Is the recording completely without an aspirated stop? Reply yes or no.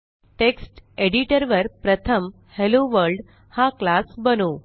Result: no